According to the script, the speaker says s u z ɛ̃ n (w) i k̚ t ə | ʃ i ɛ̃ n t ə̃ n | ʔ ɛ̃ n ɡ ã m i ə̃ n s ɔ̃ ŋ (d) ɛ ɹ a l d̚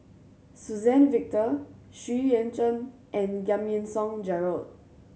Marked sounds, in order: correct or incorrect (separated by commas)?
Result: incorrect, incorrect